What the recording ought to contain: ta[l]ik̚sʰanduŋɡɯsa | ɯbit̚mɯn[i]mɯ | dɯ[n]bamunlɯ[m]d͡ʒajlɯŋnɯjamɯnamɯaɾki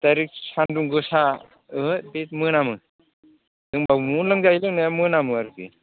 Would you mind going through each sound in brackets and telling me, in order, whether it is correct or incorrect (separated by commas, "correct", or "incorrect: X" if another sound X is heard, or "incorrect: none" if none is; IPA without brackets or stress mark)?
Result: incorrect: ɾ, incorrect: a, incorrect: ŋ, incorrect: ŋ